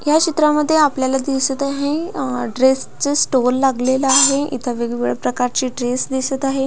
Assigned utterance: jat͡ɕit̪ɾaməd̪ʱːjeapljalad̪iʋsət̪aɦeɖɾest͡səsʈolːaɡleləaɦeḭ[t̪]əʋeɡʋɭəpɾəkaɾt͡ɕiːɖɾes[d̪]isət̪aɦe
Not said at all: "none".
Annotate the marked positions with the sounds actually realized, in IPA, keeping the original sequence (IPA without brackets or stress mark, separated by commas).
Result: t̪ʰ, d̪